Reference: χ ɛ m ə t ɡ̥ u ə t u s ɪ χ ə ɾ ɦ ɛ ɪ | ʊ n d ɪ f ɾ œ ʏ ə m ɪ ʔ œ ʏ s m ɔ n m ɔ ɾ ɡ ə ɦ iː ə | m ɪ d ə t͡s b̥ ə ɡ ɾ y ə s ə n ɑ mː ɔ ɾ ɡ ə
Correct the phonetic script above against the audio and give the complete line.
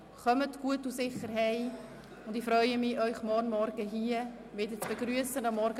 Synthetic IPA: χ œ m ə t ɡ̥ u ə t u s ɪ χ ə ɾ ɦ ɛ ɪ | ʊ n d ɪ f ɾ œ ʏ ə m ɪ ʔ œ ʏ χ m ɔ n m ɔ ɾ ɡ ə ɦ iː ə | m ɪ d ə t͡s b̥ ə ɡ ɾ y ə s ə n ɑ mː ɔ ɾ ɡ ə